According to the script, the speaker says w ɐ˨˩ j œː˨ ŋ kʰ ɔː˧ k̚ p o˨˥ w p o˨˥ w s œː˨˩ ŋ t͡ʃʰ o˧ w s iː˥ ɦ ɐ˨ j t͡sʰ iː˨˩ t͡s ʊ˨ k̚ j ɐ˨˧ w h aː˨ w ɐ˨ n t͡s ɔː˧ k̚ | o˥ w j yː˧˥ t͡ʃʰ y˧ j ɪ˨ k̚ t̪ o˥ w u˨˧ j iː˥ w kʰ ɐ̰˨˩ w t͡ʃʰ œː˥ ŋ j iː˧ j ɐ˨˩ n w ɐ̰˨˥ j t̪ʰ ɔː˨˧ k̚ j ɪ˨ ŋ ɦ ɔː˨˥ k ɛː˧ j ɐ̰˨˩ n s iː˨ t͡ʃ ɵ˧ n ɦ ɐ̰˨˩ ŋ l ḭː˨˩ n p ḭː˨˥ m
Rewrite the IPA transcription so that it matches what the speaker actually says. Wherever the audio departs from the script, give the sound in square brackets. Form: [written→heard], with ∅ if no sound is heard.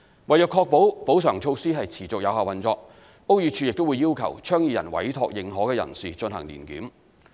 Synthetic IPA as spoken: w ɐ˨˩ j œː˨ [ŋ→∅] kʰ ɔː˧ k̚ p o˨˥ w p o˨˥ w s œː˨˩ ŋ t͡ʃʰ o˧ w s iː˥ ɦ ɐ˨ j t͡sʰ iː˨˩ t͡s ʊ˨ k̚ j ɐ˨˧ w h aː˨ w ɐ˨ n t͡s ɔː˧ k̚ | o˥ w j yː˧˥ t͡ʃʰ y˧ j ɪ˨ k̚ t̪ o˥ w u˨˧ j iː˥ w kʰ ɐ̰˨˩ w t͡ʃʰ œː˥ ŋ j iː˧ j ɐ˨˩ n w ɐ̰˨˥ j t̪ʰ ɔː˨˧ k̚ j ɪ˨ ŋ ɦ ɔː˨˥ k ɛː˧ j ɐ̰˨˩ n s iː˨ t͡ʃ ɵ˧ n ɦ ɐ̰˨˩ ŋ l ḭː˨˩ n [p→k] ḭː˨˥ m